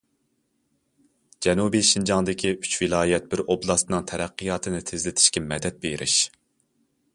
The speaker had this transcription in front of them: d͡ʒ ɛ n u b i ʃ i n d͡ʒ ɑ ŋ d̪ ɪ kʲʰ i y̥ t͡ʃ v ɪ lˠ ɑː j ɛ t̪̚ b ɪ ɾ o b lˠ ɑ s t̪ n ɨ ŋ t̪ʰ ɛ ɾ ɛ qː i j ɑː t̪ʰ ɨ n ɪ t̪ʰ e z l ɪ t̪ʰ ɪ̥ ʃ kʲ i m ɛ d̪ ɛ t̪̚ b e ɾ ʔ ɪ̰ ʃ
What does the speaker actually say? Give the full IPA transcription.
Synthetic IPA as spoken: d͡ʒ ɛ n u b i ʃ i n d͡ʒ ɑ ŋ d̪ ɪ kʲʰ i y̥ t͡ʃ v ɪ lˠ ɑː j ɛ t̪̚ b ɪ ɾ o b lˠ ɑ s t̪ n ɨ ŋ t̪ʰ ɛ ɾ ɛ qː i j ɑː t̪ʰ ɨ n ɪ t̪ʰ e z l ɪ t̪ʰ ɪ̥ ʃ kʲ ɛ m ɛ d̪ ɛ t̪̚ b e ɾ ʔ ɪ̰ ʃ